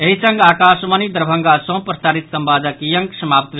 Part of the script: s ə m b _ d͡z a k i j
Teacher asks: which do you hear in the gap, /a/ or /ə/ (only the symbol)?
a